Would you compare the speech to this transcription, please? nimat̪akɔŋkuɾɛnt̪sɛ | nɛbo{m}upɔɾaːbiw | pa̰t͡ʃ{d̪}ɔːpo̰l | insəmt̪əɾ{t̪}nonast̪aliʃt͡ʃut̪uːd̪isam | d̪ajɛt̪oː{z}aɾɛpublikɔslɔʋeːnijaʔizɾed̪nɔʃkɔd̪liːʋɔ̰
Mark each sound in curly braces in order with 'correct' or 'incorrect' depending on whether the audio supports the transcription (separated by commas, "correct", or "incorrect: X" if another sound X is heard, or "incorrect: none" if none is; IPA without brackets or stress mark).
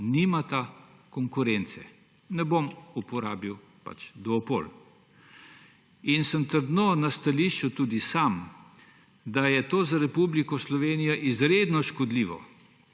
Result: correct, correct, incorrect: d̪, correct